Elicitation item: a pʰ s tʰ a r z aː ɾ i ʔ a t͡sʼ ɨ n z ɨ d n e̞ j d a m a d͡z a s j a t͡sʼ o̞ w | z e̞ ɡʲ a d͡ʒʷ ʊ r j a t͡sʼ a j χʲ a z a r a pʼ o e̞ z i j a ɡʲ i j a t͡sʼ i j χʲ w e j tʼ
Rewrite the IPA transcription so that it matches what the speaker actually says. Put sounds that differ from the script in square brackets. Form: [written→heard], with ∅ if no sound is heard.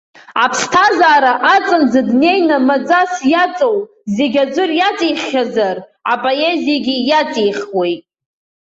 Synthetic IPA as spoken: a pʰ s tʰ a [r→∅] z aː ɾ [i→a] ʔ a t͡sʼ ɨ n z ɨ d n e̞ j [d→n] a m a d͡z a s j a t͡sʼ o̞ w | z e̞ ɡʲ a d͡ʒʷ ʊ r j a t͡sʼ [a→i] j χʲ a z a r a pʼ o e̞ z i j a ɡʲ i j a t͡sʼ i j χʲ w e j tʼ

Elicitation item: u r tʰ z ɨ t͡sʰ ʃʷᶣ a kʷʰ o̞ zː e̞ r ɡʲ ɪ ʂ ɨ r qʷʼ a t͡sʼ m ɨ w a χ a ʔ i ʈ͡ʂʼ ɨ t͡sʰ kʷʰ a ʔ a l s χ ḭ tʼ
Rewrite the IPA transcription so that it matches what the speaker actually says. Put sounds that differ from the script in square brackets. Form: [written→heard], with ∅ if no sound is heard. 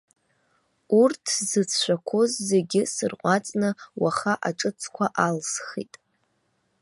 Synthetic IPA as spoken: u r tʰ z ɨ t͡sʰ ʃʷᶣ a kʷʰ o̞ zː e̞ [r→∅] ɡʲ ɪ [ʂ→s] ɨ r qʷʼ a t͡sʼ [m→n] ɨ w a χ a ʔ [i→a] ʈ͡ʂʼ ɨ t͡sʰ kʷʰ a ʔ a l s χ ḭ tʼ

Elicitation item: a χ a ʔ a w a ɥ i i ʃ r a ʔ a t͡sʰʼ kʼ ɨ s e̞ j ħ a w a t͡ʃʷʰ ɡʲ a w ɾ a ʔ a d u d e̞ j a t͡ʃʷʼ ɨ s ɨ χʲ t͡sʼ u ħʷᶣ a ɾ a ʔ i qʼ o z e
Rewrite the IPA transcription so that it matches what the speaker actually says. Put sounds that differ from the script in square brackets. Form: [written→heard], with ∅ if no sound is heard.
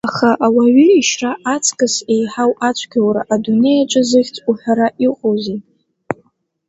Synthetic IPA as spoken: a χ a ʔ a w a ɥ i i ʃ r a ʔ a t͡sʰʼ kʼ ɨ s e̞ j ħ a w a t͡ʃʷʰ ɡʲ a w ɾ a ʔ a d u [d→n] e̞ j a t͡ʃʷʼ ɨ [s→z] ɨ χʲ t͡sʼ u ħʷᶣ a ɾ a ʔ i qʼ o z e

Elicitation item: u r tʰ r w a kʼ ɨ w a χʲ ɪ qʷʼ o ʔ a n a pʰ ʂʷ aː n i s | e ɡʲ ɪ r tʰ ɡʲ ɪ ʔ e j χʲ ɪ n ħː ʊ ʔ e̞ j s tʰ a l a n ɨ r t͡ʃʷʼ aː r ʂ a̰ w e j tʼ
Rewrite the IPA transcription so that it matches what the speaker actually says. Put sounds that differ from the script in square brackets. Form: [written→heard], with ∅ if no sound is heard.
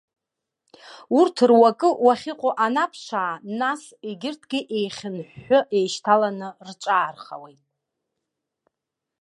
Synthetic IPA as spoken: u r tʰ r w a kʼ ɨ w a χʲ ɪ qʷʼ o ʔ a n a pʰ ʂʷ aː n [i→a] s | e ɡʲ ɪ r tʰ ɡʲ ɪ ʔ e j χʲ ɪ n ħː ʊ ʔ e̞ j [s→ʃ] tʰ a l a n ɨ r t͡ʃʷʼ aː r [ʂ→χ] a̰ w e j tʼ

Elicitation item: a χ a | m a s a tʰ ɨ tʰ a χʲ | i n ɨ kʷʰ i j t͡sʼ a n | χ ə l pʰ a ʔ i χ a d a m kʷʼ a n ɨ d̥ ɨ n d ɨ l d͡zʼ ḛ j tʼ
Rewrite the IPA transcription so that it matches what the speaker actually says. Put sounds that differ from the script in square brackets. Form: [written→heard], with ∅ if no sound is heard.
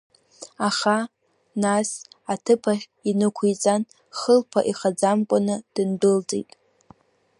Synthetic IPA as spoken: a χ a | [m→n] a s a tʰ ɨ [tʰ→pʰ] a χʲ | i n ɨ kʷʰ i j t͡sʼ a n | χ ə l pʰ a ʔ i χ a [d→d͡z] a m kʷʼ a n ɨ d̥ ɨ n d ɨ l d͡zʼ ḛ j tʼ

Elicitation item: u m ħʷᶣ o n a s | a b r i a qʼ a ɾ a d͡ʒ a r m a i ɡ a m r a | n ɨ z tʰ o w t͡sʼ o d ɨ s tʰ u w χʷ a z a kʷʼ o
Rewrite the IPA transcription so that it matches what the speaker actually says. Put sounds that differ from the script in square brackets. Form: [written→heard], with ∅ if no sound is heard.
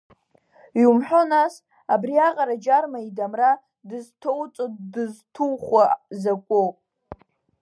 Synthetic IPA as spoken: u m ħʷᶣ o n a s | a b r i a qʼ a ɾ a d͡ʒ a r m a i [ɡ→d] a m r a | [n→d] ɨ z tʰ o w t͡sʼ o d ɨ [s→z] tʰ u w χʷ a z a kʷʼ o

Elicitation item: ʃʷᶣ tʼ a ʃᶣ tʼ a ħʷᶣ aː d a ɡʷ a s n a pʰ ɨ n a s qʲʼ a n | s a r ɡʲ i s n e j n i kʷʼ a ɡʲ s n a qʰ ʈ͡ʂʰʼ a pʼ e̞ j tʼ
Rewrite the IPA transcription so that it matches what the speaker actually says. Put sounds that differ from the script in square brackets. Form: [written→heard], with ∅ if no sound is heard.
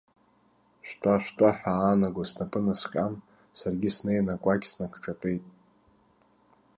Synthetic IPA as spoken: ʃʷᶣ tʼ a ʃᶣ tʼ a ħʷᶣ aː [d→n] a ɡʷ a s n a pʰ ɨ n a s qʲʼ a n | s a r ɡʲ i s n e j n [i→a] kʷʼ a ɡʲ s n a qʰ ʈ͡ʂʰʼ a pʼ e̞ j tʼ

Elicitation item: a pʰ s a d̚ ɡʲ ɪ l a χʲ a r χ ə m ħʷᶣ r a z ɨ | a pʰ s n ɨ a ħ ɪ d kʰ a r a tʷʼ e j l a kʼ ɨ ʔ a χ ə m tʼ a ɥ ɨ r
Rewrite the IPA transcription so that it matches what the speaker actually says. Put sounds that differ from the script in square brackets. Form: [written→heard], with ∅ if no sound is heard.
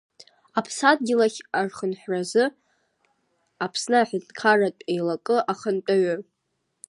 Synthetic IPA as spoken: a pʰ s a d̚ ɡʲ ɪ l a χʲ a r χ ə [m→n] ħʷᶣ r a z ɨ | a pʰ s n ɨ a ħ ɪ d kʰ a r a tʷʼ e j l a kʼ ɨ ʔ a χ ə [m→n] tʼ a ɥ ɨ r

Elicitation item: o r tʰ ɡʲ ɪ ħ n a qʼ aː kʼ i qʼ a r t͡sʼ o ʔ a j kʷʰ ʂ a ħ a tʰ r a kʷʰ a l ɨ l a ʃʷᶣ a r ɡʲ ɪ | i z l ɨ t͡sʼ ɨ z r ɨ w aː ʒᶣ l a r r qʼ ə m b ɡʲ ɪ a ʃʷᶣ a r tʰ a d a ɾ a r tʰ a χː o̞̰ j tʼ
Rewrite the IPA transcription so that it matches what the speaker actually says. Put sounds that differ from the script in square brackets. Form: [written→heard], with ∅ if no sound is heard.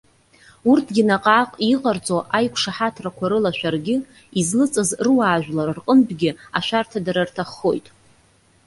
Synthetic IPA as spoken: [o→u] r tʰ ɡʲ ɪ [ħ→∅] n a qʼ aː [kʼ→qʼ] i qʼ a r t͡sʼ o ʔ a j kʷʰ ʂ a ħ a tʰ r a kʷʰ a [l→ɾ] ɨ l a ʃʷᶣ a r ɡʲ ɪ | i z l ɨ t͡sʼ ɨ z r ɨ w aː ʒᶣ l a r r qʼ ə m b ɡʲ ɪ a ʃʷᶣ a r tʰ a d a ɾ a r tʰ a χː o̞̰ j tʼ

